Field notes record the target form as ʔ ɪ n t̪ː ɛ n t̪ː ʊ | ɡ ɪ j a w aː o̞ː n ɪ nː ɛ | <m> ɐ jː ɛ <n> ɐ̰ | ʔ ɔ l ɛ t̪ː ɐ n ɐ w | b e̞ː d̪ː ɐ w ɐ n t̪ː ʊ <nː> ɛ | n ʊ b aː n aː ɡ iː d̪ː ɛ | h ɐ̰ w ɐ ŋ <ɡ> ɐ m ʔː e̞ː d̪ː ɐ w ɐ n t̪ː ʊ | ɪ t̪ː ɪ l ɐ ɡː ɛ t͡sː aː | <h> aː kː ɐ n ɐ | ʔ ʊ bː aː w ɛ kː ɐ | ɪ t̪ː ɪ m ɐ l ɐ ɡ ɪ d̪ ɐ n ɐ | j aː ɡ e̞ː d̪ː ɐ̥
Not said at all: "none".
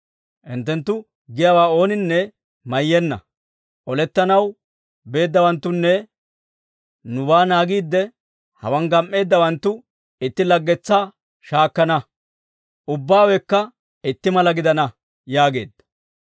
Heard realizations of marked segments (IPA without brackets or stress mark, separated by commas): m, nː, nː, ɡ, ʃ